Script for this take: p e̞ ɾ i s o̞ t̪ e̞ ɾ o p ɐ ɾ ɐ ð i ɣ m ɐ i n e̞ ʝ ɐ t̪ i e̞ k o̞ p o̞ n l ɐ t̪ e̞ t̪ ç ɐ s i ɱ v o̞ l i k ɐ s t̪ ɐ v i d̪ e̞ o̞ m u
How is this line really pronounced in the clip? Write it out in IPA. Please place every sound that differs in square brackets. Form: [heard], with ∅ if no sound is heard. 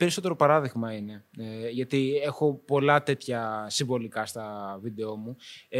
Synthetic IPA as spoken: p e̞ ɾ i s o̞ t̪ e̞ ɾ o p ɐ ɾ ɐ ð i ɣ m ɐ i n e̞ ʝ ɐ t̪ i e̞ [x] o̞ p o̞ [∅] l ɐ t̪ e̞ t̪ ç ɐ s i ɱ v o̞ l i k ɐ s t̪ ɐ v i d̪ e̞ o̞ m u